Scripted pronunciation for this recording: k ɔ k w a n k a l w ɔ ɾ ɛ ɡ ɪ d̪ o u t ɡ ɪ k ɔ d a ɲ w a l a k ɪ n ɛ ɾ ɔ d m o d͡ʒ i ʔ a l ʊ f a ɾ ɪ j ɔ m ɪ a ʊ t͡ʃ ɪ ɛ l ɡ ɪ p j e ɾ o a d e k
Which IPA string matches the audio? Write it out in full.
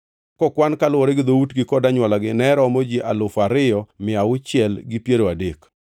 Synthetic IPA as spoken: k ɔ k w a n k a l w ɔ ɾ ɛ ɡ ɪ d̪ o u t ɡ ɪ k ɔ d a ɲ w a l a ɡ ɪ n ɛ ɾ ɔ m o d͡ʒ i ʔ a l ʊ f a ɾ ɪ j ɔ m ɪ a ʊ t͡ʃ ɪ ɛ l ɡ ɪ p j e ɾ o a d e k